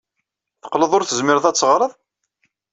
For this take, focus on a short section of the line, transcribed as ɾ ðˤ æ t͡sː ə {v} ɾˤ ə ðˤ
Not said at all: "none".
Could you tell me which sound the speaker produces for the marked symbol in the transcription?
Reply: ʁ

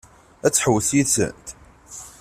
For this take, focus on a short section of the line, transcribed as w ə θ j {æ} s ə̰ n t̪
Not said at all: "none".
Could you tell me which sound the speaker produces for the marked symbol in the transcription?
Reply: i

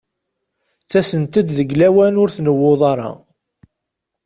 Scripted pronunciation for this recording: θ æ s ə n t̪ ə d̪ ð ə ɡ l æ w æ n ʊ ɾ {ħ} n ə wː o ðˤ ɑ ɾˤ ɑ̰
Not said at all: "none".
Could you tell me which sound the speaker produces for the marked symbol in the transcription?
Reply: θ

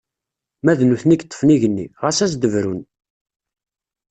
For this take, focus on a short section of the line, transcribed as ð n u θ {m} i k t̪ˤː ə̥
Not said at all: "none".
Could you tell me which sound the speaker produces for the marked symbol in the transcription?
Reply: n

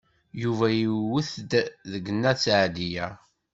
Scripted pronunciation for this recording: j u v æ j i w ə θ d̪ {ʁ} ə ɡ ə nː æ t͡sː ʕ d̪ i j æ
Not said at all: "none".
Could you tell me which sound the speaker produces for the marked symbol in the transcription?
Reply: ð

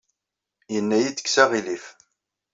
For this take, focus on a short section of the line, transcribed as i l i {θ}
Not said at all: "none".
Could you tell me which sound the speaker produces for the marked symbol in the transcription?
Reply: f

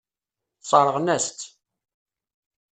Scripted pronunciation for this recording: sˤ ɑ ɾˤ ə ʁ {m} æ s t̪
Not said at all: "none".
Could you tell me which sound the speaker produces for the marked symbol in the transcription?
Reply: n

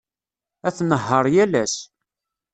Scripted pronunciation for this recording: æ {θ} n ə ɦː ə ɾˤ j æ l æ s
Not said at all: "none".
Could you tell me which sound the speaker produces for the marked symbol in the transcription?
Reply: θ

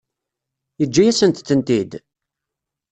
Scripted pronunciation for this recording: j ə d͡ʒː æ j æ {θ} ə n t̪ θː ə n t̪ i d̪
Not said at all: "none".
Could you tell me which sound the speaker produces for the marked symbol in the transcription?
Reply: s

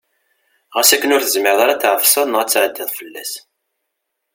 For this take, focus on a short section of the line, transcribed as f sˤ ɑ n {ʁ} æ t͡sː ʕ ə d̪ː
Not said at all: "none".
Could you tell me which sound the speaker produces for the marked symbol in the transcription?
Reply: ʁ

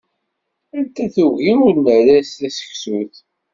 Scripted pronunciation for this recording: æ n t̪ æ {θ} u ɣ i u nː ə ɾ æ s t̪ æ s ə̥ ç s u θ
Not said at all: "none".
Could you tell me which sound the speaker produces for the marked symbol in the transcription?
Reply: θ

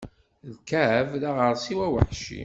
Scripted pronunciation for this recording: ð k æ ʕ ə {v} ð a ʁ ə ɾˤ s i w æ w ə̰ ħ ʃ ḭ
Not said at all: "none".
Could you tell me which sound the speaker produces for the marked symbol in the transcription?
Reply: v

